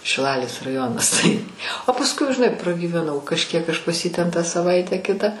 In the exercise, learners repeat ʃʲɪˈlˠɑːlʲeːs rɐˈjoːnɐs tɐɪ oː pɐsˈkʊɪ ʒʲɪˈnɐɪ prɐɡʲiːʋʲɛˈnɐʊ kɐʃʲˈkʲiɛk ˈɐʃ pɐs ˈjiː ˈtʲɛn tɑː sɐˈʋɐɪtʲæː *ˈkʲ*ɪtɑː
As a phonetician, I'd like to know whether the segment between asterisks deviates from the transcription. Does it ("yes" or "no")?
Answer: no